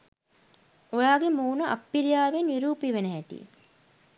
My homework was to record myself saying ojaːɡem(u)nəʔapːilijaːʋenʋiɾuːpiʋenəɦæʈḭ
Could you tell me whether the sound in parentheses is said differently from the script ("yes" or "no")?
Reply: yes